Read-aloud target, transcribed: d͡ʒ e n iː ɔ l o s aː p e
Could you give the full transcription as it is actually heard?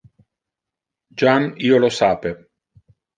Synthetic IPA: d͡ʒ a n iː o l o s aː p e